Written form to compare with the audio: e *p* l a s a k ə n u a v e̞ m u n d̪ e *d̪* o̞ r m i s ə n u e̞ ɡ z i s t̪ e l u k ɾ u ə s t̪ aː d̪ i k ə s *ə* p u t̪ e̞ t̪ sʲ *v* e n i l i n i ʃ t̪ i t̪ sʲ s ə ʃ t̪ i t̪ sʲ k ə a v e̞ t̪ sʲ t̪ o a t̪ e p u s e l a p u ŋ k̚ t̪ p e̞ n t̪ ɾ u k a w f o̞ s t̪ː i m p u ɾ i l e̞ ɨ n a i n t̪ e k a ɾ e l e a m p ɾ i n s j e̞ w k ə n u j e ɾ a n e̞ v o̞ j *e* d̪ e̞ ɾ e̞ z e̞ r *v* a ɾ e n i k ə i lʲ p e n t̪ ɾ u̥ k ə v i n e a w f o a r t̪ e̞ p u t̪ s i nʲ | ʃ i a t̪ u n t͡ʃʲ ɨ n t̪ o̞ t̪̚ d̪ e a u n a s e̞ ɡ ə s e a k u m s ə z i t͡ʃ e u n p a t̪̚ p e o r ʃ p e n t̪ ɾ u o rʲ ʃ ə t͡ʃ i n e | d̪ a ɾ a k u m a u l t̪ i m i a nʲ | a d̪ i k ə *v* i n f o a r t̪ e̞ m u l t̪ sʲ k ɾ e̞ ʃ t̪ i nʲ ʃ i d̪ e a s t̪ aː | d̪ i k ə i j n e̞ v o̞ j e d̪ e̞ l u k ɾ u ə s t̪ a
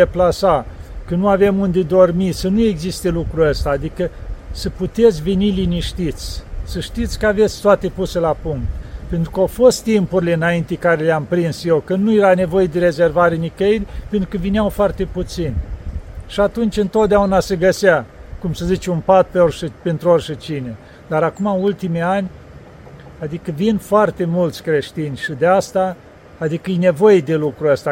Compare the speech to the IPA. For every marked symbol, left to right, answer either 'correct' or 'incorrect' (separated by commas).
correct, correct, correct, correct, correct, correct, correct